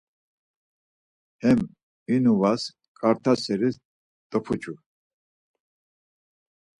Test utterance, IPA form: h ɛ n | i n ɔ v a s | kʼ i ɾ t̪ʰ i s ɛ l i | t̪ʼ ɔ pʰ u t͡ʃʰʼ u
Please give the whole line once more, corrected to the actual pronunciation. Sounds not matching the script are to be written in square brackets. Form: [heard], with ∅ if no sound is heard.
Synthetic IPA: h ɛ [m] | i n [u] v a s | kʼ [a] ɾ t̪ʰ [a] s ɛ [ɾ] i | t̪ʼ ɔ pʰ u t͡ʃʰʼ u